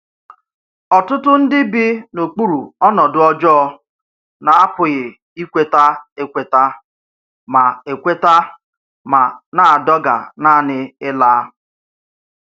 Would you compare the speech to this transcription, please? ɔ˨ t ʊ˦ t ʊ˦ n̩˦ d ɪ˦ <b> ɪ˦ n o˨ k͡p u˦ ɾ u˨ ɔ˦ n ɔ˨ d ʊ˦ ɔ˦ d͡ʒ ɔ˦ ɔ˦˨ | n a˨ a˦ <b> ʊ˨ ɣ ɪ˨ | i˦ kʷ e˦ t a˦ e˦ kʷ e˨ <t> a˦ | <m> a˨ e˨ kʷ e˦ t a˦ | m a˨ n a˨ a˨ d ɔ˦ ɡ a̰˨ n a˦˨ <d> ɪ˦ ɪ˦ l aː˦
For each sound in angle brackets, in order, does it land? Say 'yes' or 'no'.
yes, no, yes, yes, no

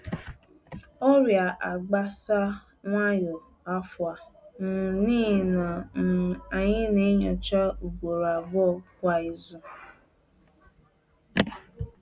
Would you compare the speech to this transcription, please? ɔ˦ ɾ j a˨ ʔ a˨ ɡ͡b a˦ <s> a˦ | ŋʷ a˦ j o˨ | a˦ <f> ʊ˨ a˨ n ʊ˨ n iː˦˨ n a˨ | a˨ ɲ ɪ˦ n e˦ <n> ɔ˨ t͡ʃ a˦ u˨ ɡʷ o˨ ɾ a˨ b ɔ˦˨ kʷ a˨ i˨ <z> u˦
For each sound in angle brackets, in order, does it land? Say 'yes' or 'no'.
yes, yes, no, yes

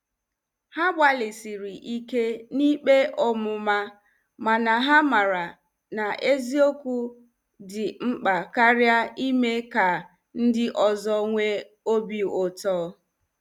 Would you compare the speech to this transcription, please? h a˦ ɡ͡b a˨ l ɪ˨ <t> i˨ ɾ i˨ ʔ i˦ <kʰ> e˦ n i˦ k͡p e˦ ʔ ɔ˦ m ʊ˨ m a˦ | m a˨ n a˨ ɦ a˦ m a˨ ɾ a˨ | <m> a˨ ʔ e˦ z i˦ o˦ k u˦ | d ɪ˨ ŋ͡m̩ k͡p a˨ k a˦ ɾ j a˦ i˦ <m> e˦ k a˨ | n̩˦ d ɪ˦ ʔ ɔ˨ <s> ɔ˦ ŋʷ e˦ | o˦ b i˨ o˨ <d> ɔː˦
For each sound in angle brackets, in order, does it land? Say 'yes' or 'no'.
no, no, no, yes, no, no

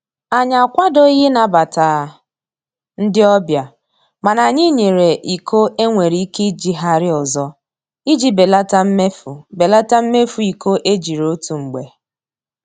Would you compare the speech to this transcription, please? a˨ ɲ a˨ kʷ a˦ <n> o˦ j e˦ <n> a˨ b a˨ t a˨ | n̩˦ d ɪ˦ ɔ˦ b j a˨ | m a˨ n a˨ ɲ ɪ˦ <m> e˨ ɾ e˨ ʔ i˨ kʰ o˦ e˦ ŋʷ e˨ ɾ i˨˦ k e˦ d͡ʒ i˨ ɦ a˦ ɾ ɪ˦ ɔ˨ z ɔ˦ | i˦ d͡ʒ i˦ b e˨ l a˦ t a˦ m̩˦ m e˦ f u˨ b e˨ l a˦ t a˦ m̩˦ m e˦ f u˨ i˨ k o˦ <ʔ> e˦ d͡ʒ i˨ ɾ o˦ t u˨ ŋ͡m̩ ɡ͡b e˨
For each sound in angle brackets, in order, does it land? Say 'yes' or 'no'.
no, yes, no, yes

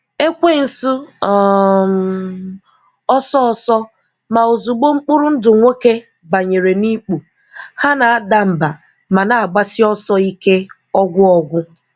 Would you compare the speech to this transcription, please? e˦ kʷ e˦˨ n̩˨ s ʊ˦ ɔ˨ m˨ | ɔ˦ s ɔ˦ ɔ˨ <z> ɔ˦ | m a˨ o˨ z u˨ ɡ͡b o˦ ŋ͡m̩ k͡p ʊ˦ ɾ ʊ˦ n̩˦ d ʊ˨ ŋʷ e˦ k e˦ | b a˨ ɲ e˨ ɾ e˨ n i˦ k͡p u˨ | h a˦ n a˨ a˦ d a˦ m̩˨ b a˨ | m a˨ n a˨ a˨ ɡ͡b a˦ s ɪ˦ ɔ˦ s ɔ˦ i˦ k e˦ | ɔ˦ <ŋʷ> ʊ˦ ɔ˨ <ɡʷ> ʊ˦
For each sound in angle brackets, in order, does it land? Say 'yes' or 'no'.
no, no, yes

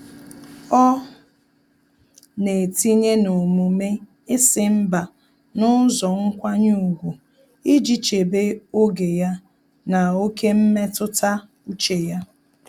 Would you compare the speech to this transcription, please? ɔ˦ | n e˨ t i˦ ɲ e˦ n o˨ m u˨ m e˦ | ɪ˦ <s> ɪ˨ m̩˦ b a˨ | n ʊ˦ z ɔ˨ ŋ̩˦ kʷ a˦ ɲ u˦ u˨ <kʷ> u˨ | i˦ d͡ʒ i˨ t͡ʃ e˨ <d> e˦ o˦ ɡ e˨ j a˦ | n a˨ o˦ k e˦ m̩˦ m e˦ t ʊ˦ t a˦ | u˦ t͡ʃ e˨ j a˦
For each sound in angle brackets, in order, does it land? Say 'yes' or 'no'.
yes, no, no

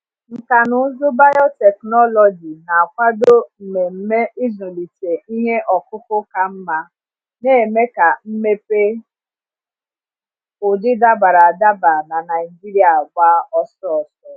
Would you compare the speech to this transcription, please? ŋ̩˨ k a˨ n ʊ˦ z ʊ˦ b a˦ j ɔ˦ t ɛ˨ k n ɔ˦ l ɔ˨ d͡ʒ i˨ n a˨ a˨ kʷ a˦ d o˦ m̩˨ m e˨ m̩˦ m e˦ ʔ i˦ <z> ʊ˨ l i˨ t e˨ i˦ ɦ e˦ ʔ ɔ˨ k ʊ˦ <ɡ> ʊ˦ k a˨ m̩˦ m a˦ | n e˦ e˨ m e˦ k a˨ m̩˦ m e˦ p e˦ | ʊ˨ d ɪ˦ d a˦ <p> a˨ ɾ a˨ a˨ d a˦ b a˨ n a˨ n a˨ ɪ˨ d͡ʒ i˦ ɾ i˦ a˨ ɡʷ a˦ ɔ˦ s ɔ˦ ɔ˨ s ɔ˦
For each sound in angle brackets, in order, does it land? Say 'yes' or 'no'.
yes, no, no

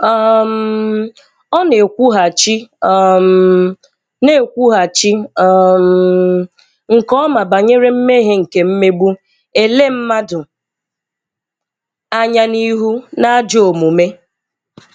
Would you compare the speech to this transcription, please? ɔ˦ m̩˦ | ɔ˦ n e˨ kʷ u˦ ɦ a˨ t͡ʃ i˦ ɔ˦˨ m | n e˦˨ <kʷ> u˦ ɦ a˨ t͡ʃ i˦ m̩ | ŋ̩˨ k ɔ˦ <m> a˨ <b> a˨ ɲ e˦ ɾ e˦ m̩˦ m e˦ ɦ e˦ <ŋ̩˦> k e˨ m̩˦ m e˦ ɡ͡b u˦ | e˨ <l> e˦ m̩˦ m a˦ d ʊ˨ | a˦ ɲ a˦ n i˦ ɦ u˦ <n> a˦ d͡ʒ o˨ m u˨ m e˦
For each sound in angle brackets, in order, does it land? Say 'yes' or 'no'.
yes, yes, yes, no, yes, yes

